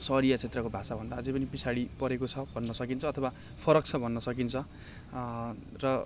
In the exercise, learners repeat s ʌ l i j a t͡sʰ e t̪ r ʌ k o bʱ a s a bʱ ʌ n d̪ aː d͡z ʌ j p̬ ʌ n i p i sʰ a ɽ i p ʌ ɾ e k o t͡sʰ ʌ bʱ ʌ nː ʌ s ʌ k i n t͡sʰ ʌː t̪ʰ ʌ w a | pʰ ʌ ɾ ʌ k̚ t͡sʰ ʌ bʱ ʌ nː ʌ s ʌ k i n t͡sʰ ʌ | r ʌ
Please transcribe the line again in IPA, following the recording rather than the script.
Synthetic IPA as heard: s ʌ ɾ i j a t͡sʰ e t̪ r ʌ k o bʱ a s a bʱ ʌ n d̪ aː d͡z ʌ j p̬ ʌ n i p i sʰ a ɽ i p ʌ ɾ e k o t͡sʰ ʌ bʱ ʌ nː ʌ s ʌ k i n t͡sʰ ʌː t̪ʰ ʌ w a | pʰ ʌ ɾ ʌ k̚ t͡sʰ ʌ bʱ ʌ nː ʌ s ʌ k i n t͡sʰ ʌ | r ʌ